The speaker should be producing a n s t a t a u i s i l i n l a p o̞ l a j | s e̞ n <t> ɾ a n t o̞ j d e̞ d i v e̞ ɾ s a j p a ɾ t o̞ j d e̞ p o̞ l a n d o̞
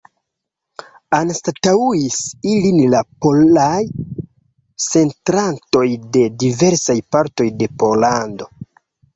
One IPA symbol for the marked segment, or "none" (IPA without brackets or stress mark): t